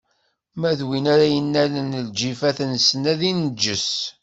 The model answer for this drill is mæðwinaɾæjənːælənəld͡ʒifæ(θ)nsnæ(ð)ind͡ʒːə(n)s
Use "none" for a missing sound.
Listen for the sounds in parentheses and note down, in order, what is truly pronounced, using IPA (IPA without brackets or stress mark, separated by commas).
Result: θ, ð, none